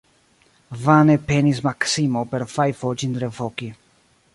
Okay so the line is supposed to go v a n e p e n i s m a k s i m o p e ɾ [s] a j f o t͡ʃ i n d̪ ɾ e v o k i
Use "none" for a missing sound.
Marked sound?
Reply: f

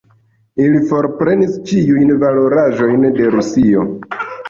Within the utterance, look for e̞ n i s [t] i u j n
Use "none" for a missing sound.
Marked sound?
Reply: t͡ʃ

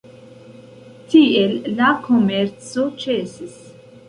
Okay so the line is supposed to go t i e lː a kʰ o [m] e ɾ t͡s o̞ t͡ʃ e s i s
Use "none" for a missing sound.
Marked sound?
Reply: m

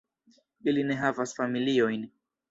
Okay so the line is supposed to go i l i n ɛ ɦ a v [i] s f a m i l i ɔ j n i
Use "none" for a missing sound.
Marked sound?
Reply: a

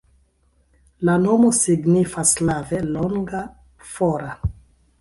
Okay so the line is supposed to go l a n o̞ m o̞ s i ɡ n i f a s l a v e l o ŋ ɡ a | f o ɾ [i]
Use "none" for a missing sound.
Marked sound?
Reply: a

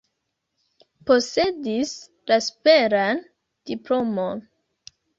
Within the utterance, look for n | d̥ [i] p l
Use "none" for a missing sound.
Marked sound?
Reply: i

